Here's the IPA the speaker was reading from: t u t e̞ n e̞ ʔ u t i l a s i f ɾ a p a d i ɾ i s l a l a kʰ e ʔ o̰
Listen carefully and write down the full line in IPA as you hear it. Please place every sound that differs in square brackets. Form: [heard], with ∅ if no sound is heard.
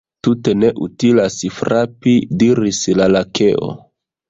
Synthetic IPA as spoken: t u t e̞ n e̞ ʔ u t i l a s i f ɾ a p [i] d i ɾ i s l a l a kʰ e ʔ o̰